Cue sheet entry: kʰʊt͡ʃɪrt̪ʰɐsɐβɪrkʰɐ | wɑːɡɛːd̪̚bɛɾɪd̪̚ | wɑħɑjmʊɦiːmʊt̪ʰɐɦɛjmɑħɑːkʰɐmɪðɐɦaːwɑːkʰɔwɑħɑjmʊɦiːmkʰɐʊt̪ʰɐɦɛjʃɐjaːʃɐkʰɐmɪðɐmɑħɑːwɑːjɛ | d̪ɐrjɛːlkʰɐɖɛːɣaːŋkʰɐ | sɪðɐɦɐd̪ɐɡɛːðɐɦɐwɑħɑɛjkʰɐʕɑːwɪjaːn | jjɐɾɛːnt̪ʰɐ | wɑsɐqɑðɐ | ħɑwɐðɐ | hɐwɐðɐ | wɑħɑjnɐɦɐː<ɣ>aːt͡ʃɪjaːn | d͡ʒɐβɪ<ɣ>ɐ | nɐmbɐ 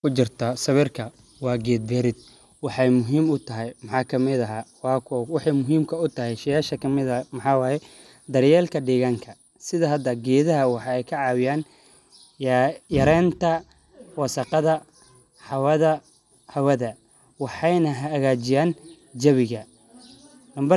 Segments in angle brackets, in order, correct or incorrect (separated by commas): correct, correct